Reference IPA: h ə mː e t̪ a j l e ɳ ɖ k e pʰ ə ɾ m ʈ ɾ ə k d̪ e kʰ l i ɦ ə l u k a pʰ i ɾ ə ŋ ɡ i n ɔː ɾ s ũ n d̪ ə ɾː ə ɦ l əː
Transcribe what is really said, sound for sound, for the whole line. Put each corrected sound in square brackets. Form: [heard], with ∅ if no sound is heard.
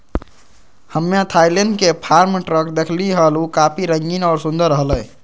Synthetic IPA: h ə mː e [t̪ʰ] a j l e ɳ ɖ k e pʰ [a] ɾ m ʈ ɾ ə k d̪ e kʰ l i ɦ ə l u k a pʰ i ɾ ə ŋ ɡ i n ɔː ɾ s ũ n d̪ ə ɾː ə ɦ l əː